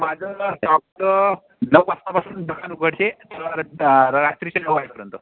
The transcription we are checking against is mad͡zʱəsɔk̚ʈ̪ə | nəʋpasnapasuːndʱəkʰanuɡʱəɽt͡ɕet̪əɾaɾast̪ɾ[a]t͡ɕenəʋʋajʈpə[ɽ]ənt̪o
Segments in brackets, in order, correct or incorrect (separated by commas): incorrect, incorrect